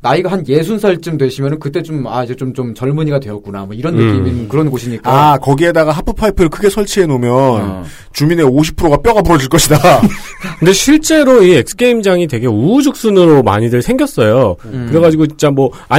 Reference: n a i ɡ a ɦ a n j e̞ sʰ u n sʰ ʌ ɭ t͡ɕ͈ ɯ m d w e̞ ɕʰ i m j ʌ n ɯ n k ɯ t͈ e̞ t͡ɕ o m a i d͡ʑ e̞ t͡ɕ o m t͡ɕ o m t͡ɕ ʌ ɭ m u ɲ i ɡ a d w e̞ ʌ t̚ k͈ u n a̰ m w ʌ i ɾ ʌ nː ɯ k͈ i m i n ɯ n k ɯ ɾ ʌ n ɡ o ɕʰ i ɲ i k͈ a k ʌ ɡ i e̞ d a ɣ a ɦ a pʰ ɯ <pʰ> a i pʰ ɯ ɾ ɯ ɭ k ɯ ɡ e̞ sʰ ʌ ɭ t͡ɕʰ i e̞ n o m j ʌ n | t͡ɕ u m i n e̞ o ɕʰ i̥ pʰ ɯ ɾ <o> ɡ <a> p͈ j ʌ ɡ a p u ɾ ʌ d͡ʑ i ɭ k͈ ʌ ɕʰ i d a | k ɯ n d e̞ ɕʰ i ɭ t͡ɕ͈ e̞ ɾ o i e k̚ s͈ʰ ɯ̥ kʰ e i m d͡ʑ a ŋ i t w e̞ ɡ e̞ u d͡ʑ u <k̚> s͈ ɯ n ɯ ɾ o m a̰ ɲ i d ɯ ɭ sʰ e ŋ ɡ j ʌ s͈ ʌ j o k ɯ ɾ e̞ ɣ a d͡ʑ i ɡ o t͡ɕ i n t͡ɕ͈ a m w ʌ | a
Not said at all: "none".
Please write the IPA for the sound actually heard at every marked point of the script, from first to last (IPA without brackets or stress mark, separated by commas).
pʰ, o, a, k̚